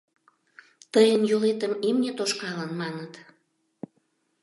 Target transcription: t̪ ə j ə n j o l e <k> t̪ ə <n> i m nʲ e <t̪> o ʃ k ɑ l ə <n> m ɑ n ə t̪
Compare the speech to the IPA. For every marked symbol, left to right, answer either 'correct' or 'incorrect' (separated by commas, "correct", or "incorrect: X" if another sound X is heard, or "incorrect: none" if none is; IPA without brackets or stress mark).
incorrect: none, incorrect: m, correct, correct